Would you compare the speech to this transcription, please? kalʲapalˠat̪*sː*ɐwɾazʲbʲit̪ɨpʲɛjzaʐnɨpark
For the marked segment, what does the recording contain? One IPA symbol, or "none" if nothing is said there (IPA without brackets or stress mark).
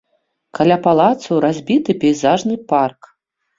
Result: s